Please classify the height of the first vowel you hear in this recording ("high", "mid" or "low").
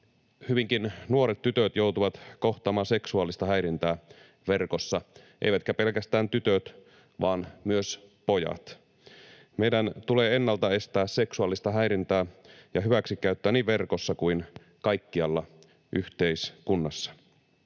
high